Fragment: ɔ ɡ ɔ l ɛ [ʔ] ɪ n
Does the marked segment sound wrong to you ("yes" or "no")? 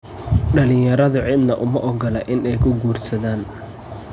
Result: no